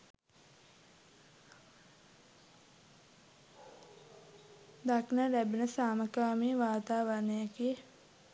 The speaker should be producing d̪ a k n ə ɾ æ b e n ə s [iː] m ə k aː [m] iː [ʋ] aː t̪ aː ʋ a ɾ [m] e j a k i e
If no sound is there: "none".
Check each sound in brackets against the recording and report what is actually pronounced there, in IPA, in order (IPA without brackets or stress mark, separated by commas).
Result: aː, m, ʋ, n